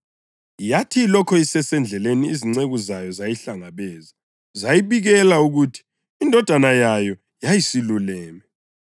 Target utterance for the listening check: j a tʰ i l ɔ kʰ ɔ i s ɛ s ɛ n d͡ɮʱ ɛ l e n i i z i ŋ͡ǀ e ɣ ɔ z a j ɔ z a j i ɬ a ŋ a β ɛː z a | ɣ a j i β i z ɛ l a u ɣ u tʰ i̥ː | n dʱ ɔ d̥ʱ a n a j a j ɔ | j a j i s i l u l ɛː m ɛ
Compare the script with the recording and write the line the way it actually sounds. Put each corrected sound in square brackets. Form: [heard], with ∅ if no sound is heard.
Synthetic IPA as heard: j a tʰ i l ɔ kʰ ɔ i s ɛ s ɛ n d͡ɮʱ ɛ l e n i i z i ŋ͡ǀ e ɣ [u] z a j ɔ z a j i ɬ a ŋ a β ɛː z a | [z] a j i β i [ɣ] ɛ l a u ɣ u tʰ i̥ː | n dʱ ɔ d̥ʱ a n a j a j ɔ | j a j i s i l u l ɛː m ɛ